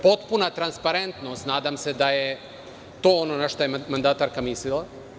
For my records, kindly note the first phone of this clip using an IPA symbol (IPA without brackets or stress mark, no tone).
p